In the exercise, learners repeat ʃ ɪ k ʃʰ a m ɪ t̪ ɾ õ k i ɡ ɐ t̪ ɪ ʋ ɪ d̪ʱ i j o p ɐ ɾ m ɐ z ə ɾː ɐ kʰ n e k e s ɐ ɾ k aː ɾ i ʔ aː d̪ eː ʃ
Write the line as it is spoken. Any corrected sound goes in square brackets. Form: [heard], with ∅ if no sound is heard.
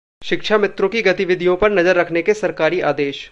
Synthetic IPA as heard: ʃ ɪ k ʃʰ a m ɪ t̪ ɾ õ k i ɡ ɐ t̪ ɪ ʋ ɪ d̪ʱ i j [õ] p ɐ ɾ [n] ɐ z ə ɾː ɐ kʰ n e k e s ɐ ɾ k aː ɾ i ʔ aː d̪ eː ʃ